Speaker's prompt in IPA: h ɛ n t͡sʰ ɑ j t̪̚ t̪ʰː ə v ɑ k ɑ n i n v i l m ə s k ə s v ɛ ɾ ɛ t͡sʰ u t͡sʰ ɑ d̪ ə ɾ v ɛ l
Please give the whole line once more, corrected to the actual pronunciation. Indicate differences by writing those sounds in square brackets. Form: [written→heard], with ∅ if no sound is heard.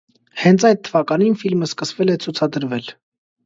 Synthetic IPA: h ɛ n t͡sʰ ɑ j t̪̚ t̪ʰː ə v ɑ k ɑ n i n [v→f] i l m ə s k ə s v ɛ [ɾ→l] ɛ t͡sʰ u t͡sʰ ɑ d̪ ə ɾ v ɛ l